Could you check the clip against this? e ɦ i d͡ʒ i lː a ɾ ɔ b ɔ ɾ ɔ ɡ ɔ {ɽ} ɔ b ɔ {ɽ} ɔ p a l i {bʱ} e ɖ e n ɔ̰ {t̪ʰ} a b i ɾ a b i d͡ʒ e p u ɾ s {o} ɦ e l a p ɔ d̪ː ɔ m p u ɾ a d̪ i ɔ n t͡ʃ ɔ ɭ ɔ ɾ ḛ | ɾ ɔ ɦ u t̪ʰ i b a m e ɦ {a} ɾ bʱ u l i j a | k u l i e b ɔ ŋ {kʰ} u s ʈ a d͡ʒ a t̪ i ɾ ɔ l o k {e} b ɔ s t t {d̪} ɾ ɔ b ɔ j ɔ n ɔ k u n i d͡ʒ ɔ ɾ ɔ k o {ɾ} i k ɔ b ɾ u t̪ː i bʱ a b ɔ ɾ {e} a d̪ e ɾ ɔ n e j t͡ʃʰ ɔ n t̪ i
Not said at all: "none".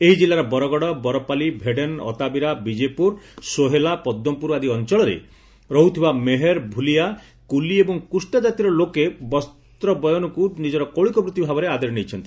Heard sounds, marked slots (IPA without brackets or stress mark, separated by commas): ɽ, ɾ, bʱ, t̪, o, e, k, e, t̪, ɭ, e